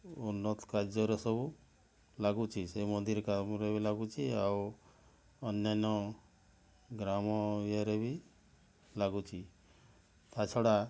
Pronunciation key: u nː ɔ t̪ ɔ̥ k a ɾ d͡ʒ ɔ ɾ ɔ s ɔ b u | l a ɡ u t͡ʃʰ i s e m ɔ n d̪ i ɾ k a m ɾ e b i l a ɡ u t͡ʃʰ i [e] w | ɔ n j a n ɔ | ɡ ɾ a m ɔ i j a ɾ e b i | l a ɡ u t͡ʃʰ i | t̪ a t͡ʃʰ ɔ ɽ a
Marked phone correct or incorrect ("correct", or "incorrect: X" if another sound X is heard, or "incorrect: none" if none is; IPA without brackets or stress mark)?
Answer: incorrect: a